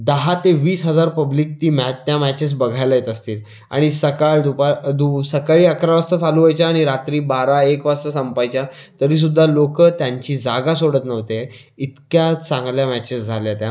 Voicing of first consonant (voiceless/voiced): voiced